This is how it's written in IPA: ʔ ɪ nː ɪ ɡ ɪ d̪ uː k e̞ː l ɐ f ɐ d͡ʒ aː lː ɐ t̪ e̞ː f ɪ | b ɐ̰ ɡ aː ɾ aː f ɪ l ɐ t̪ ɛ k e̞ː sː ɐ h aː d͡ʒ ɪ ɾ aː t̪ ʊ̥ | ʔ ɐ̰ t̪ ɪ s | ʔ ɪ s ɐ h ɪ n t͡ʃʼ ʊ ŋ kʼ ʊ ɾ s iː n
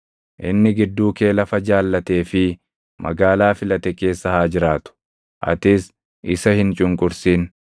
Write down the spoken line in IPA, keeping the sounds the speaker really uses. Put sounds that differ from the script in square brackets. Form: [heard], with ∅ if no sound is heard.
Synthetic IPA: ʔ ɪ nː ɪ ɡ ɪ [d̪ː] uː k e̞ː l ɐ f ɐ d͡ʒ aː lː ɐ t̪ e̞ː f ɪ | [m] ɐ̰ ɡ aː [l] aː f ɪ l ɐ t̪ ɛ k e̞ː sː ɐ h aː d͡ʒ ɪ ɾ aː t̪ ʊ̥ | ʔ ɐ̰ t̪ ɪ s | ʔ ɪ s ɐ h ɪ n t͡ʃʼ ʊ ŋ kʼ ʊ ɾ s iː n

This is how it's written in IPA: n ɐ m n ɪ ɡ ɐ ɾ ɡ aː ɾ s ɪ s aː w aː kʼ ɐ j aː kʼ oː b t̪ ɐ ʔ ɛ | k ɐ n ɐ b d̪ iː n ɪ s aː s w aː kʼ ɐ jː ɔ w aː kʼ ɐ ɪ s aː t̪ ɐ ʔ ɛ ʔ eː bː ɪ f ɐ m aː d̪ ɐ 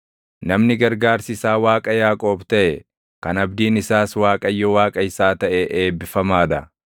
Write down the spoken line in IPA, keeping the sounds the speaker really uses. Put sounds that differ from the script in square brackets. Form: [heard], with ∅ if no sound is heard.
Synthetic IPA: n ɐ m n ɪ ɡ ɐ ɾ ɡ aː ɾ s ɪ s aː w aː kʼ ɐ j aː kʼ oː b t̪ ɐ ʔ ɛ | k ɐ n ɐ b d̪ iː n ɪ s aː s w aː kʼ ɐ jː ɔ w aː kʼ ɐ ɪ s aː t̪ ɐ ʔ ɛ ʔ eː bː ɪ f ɐ m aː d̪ ɐ

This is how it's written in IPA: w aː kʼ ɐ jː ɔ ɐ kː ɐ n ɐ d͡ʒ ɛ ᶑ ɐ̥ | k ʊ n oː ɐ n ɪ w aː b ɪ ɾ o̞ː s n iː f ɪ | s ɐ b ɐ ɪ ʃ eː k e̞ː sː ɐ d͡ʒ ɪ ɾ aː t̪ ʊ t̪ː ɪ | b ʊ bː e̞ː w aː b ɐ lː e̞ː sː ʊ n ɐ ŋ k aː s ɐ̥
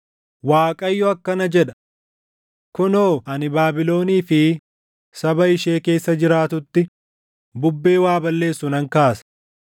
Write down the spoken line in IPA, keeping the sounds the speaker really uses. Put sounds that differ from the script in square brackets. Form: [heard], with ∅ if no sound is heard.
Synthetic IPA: w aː kʼ ɐ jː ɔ ɐ kː ɐ n ɐ d͡ʒ ɛ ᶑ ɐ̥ | k ʊ n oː ɐ n ɪ [b] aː b ɪ [l] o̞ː [∅] n iː f ɪ | s ɐ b ɐ ɪ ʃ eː k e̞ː sː ɐ d͡ʒ ɪ ɾ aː t̪ ʊ t̪ː ɪ | b ʊ bː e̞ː w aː b ɐ lː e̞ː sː ʊ n ɐ ŋ k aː s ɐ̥

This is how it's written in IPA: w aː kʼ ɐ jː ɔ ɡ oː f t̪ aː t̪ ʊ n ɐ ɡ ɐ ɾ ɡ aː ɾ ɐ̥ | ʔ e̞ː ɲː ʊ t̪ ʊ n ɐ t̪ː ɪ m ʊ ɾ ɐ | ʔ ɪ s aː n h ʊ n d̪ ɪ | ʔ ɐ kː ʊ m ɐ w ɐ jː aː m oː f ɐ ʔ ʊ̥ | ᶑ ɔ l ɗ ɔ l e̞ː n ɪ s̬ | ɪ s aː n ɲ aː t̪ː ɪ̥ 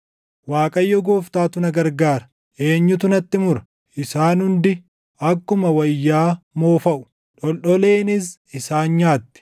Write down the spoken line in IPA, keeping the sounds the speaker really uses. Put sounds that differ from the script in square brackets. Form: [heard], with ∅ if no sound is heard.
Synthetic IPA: w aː kʼ ɐ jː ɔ ɡ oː f t̪ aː t̪ ʊ n ɐ ɡ ɐ ɾ ɡ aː ɾ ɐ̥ | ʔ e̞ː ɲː ʊ t̪ ʊ n ɐ t̪ː ɪ m ʊ ɾ ɐ | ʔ ɪ s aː n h ʊ n d̪ ɪ | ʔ ɐ kː ʊ m ɐ w ɐ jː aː m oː f ɐ ʔ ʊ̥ | ᶑ ɔ l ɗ ɔ l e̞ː n ɪ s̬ | ɪ s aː n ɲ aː t̪ː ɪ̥

